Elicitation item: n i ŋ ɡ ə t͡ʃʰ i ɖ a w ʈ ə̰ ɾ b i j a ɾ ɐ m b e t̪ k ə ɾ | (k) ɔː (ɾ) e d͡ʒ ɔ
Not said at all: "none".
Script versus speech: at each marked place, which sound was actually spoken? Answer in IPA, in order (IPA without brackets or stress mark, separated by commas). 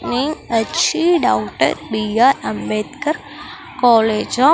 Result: k, l